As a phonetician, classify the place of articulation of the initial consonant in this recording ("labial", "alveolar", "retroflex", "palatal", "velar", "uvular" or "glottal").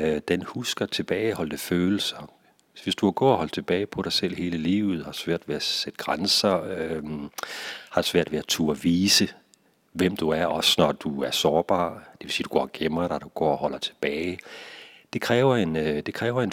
alveolar